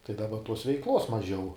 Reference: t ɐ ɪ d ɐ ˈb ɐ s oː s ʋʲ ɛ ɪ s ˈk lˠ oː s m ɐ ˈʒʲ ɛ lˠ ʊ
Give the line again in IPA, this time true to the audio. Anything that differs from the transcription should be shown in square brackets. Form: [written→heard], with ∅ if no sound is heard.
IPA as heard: t ɐ ɪ d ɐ ˈb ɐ [s→t] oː s ʋʲ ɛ ɪ [s→∅] ˈk lˠ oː s m ɐ ˈʒʲ ɛ [lˠ→∅] ʊ